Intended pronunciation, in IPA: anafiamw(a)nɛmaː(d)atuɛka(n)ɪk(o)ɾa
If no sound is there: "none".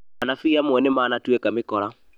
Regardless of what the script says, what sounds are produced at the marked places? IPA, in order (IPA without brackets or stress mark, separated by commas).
ɛ, n, m, ɔ